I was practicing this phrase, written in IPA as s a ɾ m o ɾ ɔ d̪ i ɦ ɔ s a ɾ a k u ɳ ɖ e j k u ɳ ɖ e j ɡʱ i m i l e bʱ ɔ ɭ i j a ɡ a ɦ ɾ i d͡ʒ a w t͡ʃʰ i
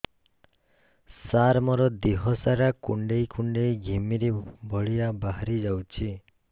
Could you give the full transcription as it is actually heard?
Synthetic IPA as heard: s a ɾ m ɔ ɾ ɔ d̪ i ɦ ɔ s a ɾ a k u ɳ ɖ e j k u ɳ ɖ e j ɡʱ i m i ɾ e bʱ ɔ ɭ i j a b a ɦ ɾ i d͡ʒ a w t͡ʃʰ i